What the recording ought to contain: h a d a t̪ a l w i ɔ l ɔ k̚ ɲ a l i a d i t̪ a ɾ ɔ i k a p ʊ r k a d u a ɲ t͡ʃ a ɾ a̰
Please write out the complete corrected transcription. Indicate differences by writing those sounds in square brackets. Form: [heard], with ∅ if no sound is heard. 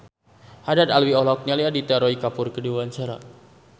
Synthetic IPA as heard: h a d a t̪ a l w i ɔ l ɔ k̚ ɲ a l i a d i t̪ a ɾ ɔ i k a p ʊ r k [ə] d u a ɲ t͡ʃ a ɾ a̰

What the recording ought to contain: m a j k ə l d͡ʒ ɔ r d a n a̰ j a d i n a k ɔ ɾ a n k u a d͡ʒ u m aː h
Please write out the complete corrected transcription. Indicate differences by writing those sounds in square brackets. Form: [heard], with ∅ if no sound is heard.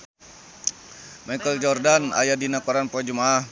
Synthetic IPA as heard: m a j k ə l d͡ʒ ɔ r d a n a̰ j a d i n a k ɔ ɾ a n [p] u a d͡ʒ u m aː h

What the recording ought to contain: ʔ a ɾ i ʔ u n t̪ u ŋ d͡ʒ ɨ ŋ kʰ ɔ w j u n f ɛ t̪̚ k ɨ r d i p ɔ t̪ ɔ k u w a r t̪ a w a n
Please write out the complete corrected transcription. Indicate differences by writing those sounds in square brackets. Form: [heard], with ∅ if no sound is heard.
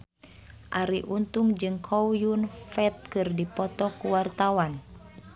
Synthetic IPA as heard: ʔ a ɾ i ʔ u n t̪ u ŋ d͡ʒ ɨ ŋ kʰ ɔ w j u n f ɛ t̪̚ k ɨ r d i p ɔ t̪ ɔ k u w a r t̪ a w a n

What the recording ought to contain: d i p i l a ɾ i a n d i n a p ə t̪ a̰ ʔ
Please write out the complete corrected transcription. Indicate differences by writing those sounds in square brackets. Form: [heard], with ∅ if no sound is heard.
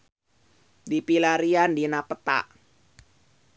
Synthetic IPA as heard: d i p i l a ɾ i a n d i n a p ə t̪ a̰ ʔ

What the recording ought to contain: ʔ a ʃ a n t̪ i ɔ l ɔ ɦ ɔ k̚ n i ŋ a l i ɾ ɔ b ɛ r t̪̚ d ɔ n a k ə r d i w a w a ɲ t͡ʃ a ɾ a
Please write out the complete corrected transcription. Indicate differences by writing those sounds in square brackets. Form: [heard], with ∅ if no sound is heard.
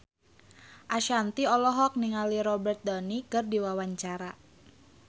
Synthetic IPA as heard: ʔ a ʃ a n t̪ i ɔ l ɔ ɦ ɔ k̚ n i ŋ a l i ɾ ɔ b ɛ r t̪̚ d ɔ n [i] k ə r d i w a w a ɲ t͡ʃ a ɾ a

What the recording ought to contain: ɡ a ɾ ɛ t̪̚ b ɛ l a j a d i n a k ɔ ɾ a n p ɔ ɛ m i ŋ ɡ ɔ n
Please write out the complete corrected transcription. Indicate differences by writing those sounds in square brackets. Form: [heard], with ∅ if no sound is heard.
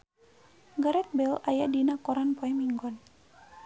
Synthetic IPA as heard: ɡ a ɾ ɛ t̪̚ b ɛ l a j a d i n a k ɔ ɾ a n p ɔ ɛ m i ŋ ɡ ɔ n

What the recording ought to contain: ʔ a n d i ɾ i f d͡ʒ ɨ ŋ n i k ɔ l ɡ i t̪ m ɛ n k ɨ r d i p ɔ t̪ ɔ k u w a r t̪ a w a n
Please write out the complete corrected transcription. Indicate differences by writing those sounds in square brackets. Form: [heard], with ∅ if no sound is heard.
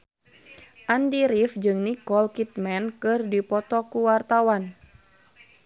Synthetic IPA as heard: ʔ a n d i ɾ i f d͡ʒ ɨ ŋ n i k ɔ l [k] i t̪ m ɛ n k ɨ r d i p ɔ t̪ ɔ k u w a r t̪ a w a n

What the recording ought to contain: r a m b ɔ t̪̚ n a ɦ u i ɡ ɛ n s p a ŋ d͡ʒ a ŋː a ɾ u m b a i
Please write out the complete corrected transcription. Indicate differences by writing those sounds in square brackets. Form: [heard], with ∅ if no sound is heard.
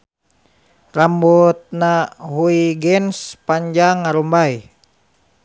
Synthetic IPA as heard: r a m b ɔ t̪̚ n a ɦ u i ɡ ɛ n s p a [ɲ] d͡ʒ a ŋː a ɾ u m b a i

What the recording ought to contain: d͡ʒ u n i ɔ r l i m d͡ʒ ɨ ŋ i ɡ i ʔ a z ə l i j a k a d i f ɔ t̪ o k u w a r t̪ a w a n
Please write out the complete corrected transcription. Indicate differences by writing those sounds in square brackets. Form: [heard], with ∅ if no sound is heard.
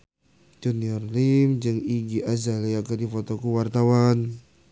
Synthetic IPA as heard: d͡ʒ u n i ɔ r l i m d͡ʒ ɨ ŋ i ɡ i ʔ a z [a] l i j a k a d i f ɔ t̪ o k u w a r t̪ a w a n

